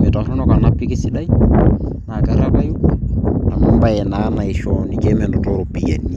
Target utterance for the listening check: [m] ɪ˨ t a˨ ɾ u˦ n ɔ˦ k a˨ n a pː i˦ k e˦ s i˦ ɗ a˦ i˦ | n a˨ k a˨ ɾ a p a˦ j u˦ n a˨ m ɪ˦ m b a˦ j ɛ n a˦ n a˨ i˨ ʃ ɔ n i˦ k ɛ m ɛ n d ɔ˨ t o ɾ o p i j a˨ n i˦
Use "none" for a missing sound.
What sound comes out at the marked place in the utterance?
m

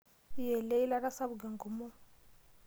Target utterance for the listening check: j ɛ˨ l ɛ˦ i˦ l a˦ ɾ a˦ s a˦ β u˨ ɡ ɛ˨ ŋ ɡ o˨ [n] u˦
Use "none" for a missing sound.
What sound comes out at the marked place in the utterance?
m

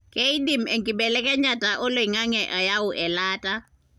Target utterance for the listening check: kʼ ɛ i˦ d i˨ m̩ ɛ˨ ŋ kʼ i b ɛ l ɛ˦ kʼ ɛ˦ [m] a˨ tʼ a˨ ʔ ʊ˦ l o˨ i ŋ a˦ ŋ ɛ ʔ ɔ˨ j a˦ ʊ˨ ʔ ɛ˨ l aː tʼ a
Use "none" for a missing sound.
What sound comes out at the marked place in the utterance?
ɲ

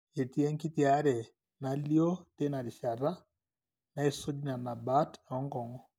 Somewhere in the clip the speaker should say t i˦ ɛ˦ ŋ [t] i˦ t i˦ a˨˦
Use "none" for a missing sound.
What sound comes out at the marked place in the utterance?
k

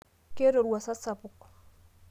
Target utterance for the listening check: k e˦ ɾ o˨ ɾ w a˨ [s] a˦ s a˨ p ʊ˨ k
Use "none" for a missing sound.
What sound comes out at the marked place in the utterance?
s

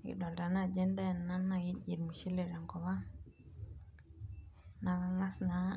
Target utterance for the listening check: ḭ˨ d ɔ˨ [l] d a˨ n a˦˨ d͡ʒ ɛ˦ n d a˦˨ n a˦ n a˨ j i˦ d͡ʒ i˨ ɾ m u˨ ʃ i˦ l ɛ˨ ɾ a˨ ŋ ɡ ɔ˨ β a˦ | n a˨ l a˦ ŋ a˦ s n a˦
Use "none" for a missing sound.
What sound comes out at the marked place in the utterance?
l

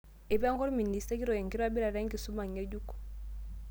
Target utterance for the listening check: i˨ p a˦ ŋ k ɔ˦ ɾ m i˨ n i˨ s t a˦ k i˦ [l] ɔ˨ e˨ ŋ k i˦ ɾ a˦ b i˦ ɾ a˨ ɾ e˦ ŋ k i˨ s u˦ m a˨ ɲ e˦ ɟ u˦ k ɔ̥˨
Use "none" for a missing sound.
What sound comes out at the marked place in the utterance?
ɾ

